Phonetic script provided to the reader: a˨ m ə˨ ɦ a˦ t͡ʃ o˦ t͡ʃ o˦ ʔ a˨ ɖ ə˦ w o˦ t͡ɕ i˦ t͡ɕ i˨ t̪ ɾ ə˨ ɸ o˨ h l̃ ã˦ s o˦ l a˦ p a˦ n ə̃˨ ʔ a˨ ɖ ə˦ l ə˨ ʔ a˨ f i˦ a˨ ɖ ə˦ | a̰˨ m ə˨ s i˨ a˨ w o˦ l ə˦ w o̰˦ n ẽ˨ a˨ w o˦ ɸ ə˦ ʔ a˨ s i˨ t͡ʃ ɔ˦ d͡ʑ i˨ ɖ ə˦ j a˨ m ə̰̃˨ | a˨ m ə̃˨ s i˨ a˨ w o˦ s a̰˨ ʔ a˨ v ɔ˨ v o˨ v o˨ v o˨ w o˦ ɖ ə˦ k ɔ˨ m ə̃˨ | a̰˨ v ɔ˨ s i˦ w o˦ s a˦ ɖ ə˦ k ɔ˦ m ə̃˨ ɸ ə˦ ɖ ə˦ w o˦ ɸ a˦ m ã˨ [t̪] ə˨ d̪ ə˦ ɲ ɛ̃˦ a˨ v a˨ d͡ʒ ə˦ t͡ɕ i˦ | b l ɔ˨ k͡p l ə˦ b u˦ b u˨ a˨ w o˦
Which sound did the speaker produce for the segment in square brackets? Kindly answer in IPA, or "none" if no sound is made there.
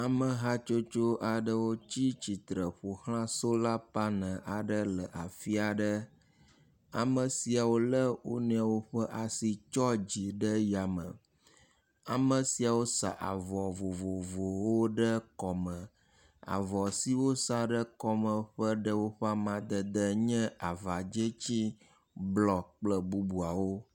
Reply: d̪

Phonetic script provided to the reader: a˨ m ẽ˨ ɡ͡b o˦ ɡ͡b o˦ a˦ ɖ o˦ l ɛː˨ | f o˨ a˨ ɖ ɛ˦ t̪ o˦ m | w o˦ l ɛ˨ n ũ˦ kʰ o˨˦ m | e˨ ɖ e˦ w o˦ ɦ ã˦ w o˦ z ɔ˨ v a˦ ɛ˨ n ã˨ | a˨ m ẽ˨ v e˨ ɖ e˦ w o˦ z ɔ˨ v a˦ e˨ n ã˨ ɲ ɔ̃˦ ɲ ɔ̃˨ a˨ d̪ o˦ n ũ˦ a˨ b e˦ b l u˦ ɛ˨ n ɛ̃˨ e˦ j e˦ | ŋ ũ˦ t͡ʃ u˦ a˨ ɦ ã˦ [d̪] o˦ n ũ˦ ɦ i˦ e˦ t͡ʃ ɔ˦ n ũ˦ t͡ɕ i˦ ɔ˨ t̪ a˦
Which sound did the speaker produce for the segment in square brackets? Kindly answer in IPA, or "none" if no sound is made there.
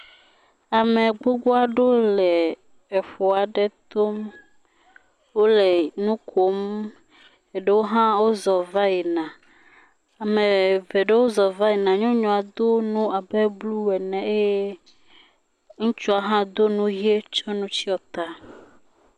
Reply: d̪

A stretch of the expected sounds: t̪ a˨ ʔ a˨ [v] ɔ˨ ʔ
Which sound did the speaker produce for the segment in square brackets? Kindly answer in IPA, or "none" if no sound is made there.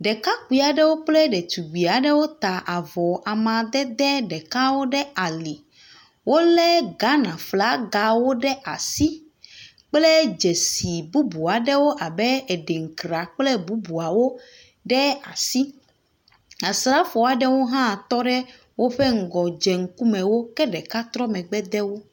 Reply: v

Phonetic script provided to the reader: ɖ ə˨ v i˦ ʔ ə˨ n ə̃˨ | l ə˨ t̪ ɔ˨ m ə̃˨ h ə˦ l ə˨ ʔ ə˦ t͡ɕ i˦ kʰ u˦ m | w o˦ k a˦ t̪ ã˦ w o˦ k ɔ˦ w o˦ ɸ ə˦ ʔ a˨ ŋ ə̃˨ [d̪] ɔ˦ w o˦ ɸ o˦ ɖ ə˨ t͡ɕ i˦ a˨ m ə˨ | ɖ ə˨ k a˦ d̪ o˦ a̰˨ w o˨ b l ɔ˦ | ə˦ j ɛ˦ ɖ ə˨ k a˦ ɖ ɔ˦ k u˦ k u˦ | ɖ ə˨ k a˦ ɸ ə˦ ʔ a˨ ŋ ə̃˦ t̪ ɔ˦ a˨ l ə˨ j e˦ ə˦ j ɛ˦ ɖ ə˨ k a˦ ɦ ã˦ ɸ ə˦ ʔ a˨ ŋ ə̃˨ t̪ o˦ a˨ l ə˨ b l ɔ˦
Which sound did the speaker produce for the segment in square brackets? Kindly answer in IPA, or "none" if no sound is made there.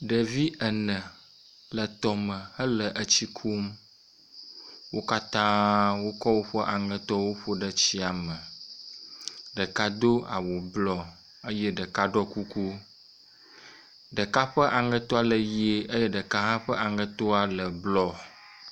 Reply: t̪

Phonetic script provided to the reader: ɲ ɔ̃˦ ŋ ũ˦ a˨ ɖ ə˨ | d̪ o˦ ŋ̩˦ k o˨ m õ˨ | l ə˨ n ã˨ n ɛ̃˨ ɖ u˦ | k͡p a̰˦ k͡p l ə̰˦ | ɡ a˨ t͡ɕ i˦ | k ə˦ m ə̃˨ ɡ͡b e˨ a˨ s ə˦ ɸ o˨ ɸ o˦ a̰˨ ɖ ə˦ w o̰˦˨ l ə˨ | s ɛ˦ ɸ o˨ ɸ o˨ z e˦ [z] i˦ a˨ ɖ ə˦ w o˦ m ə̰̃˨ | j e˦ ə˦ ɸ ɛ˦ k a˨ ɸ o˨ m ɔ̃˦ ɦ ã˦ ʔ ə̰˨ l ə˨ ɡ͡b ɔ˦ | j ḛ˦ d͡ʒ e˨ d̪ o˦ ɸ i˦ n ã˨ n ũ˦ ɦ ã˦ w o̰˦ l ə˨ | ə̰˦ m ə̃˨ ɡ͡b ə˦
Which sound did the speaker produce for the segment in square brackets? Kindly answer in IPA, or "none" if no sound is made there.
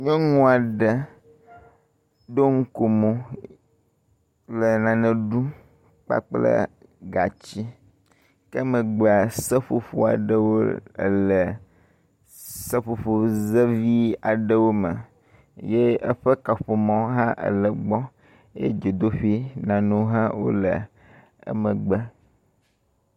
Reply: v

